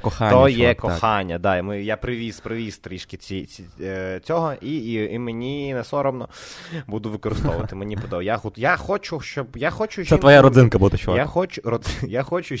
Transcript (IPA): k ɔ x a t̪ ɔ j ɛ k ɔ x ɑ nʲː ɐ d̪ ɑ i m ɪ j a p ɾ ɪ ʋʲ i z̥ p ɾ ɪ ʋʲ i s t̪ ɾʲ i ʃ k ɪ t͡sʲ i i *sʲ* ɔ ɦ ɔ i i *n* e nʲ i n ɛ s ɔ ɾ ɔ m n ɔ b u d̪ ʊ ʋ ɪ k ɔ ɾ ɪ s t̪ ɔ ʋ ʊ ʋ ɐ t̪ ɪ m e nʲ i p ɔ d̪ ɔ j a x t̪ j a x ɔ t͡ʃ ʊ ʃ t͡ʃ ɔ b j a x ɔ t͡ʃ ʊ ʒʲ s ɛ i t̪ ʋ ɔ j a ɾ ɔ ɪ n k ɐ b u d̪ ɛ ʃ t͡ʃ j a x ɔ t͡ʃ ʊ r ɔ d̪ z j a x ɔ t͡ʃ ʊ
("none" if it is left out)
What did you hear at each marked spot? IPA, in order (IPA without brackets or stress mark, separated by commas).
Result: t͡sʲ, m